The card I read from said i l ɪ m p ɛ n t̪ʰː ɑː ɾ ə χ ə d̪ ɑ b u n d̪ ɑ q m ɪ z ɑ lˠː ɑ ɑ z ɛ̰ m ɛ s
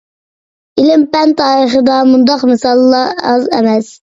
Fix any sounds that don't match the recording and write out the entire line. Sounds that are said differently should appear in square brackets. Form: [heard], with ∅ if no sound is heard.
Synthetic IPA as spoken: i l ɪ m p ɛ n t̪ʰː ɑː ɾ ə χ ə d̪ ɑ [m] u n d̪ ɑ q m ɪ [s] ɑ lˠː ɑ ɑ z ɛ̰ m ɛ s